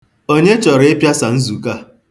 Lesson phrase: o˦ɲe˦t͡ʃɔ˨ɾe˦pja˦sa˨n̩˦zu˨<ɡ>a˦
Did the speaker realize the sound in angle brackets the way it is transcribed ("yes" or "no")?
no